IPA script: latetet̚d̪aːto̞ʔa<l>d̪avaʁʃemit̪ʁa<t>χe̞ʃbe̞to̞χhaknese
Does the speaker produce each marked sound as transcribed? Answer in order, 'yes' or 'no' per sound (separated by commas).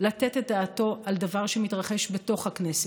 yes, no